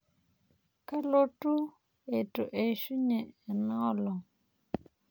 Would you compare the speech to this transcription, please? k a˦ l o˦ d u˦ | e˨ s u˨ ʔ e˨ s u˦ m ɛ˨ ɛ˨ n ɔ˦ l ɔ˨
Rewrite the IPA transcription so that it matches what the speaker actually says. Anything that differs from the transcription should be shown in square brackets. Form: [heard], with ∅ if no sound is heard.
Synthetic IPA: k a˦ l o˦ [t] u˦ | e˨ [t] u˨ ʔ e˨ [ʃ] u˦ [ɲ] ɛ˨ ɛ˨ n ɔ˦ l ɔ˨